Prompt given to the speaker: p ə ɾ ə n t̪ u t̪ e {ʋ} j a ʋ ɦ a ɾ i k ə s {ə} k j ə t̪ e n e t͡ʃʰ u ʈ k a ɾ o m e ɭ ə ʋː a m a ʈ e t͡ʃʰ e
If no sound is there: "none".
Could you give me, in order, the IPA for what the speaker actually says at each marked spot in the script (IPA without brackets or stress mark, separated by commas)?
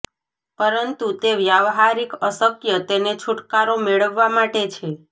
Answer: ʋ, ə